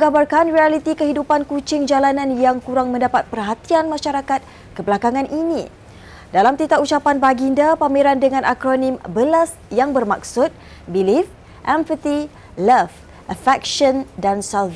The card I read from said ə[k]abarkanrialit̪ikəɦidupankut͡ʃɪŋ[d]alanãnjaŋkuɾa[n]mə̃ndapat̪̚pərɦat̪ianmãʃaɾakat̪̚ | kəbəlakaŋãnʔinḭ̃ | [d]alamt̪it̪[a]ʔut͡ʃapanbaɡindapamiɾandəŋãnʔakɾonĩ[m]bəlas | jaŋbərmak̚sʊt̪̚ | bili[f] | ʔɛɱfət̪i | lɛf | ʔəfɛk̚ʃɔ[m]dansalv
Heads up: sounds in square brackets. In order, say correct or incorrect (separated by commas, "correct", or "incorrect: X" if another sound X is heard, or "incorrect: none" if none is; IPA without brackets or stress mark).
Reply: incorrect: ɡ, incorrect: d͡ʒ, incorrect: ŋ, correct, correct, correct, correct, incorrect: n